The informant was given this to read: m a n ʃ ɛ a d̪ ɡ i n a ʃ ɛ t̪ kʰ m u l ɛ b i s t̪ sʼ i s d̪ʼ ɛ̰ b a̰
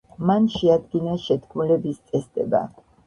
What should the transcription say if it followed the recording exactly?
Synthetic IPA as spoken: m a n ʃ ɛ a d̪ ɡ i n a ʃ ɛ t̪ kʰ m u l ɛ b i s t̪ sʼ ɛ s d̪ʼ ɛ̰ b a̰